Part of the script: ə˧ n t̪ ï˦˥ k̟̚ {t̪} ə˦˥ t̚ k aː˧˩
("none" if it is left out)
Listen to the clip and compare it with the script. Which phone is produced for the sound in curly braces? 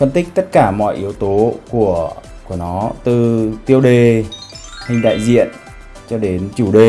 t̪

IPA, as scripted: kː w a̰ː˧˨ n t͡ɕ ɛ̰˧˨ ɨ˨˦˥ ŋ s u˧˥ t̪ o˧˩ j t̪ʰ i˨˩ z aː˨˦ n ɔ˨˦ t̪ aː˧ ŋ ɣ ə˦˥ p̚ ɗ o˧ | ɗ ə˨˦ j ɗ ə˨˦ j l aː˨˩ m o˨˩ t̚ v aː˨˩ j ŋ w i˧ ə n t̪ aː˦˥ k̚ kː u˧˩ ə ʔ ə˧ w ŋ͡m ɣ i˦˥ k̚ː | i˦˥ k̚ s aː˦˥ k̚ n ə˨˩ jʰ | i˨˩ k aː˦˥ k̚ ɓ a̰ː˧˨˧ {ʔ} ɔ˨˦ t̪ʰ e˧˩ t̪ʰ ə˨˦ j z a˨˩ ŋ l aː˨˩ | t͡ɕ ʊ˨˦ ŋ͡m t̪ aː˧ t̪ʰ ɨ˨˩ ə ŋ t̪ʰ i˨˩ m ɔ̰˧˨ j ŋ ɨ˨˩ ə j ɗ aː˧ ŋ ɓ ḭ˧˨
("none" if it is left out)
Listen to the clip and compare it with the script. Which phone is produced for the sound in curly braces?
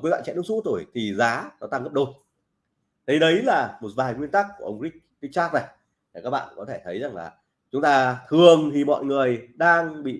k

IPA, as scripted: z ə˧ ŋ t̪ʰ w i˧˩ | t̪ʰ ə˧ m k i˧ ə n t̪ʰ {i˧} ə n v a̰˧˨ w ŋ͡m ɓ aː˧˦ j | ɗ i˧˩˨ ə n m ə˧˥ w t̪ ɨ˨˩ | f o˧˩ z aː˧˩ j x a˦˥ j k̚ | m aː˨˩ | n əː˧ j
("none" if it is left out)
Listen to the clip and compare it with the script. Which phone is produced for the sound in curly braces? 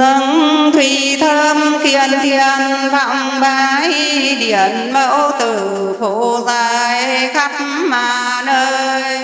i˧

